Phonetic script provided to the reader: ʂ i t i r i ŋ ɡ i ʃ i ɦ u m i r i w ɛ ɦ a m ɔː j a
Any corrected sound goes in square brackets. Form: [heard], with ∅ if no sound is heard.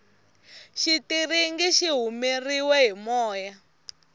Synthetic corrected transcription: [ʃ] i t i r i ŋ ɡ i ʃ i ɦ u m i r i w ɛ ɦ [i] m ɔː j a